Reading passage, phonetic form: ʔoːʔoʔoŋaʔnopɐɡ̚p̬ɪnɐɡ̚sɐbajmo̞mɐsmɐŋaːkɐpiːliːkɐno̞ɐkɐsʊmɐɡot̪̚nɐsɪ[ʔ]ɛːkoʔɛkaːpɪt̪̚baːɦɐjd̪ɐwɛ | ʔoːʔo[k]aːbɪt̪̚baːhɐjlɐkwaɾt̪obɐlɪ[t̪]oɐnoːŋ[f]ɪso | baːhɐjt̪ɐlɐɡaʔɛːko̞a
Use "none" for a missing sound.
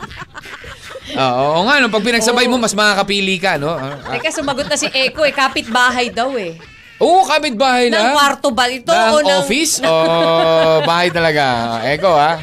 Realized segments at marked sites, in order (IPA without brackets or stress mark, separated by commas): ʔ, k, t̪, f